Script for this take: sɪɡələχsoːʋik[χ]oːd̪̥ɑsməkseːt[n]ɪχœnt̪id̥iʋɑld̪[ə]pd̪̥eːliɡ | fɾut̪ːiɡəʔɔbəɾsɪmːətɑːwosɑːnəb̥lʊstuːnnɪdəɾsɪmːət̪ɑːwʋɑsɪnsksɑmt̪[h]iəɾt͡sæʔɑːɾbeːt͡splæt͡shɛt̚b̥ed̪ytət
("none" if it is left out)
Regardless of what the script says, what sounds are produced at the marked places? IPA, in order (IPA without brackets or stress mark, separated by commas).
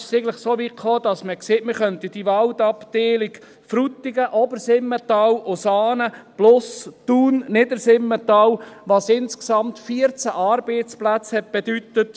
χ, m, ɑ, f